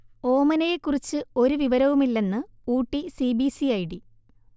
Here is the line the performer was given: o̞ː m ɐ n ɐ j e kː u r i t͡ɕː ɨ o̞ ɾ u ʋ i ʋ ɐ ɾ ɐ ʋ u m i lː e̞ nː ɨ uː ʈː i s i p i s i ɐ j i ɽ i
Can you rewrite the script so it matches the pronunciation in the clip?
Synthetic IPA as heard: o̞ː m ɐ n ɐ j e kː u r i t͡ɕː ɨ o̞ ɾ u ʋ i ʋ ɐ ɾ ɐ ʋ u m i lː e̞ nː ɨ uː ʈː i s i b i s i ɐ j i ɽ i